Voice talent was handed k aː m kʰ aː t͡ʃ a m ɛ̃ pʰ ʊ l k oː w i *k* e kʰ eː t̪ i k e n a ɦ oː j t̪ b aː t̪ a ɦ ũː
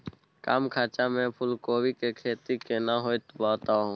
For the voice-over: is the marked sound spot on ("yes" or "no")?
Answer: yes